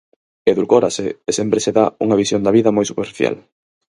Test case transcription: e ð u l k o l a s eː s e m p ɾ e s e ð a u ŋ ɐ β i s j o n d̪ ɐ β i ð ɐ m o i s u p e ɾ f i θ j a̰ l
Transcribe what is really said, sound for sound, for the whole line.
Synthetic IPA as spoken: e ð u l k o ɾ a s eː s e m p ɾ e s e ð a u ŋ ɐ β i s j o n d̪ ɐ β i ð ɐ m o j s u p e ɾ f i θ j a̰ l

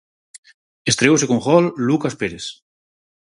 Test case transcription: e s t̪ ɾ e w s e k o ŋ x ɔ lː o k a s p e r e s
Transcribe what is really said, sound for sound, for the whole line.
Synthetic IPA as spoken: e s t̪ ɾ e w s e k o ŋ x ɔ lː u k a s p e ɾ e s

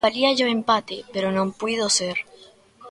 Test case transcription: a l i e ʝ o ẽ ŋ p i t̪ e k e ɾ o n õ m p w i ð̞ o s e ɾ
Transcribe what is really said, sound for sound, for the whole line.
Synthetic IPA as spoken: a l i a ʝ o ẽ m p a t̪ e p e ɾ o n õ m p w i ð̞ o s e ɾ

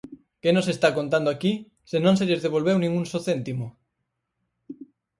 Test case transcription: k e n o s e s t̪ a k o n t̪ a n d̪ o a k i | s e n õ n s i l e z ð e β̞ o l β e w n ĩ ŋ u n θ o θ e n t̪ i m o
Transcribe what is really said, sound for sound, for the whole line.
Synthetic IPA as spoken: k e n o s e s t̪ a k o n t̪ a n d̪ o a k i | s e n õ n s e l e z ð e β̞ o l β e w n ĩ ŋ u n s o θ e n t̪ i m o

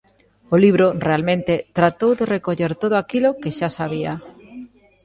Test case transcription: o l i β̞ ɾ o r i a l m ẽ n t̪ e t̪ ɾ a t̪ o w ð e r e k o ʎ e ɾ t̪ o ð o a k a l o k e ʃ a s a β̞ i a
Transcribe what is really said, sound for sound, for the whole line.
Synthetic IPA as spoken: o l i β̞ ɾ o r e a l m ẽ n t̪ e t̪ ɾ a t̪ o w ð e r e k o ʎ e ɾ t̪ o ð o a k i l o k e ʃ a s a β̞ i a

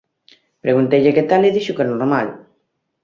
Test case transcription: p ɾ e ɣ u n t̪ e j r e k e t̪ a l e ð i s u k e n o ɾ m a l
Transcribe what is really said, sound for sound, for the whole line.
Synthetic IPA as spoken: p ɾ e ɣ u n t̪ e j ʎ e k e t̪ a l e ð i ʃ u k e n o ɾ m a l

